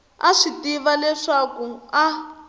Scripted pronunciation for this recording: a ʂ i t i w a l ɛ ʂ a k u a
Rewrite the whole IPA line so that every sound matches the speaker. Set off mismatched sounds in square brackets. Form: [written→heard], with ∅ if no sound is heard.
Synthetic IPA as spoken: a ʂ i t i [w→β] a l ɛ ʂ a k u a